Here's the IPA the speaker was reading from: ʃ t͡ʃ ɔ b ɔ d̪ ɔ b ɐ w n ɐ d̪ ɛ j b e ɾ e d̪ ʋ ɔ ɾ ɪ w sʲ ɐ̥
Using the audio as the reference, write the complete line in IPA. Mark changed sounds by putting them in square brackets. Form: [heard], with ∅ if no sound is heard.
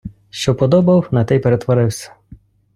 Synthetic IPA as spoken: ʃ t͡ʃ ɔ [p] ɔ d̪ ɔ b ɐ w n ɐ [t̪] ɛ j [p] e ɾ e [t̪] ʋ ɔ ɾ ɪ w sʲ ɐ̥